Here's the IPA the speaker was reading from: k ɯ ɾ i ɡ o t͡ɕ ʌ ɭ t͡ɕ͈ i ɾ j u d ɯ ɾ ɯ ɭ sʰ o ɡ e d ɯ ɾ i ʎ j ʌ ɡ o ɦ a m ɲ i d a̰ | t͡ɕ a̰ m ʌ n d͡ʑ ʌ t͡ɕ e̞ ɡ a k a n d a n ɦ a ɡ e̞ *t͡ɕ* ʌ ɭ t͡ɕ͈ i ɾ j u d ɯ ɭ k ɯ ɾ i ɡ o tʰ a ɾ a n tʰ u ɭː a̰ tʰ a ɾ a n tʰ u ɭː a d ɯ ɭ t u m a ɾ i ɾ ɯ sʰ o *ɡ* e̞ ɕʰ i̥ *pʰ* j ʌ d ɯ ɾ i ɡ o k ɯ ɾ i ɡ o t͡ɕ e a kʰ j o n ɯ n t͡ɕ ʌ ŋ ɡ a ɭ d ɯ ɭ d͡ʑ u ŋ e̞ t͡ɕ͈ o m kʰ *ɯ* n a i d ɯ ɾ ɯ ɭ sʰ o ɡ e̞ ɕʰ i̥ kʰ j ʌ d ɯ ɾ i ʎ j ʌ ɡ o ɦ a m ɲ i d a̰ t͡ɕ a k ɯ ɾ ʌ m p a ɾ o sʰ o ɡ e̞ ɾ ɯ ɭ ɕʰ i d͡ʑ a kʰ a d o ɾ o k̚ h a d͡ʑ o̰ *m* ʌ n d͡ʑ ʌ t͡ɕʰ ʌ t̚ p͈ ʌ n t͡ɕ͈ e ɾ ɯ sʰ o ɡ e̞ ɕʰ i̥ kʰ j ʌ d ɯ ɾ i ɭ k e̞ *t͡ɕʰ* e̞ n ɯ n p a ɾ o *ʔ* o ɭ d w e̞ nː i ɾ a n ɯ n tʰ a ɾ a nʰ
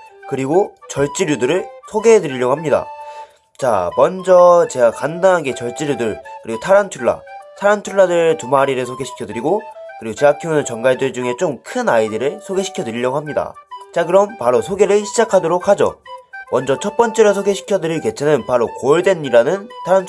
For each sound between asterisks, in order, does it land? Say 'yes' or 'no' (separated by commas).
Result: yes, yes, no, yes, yes, yes, no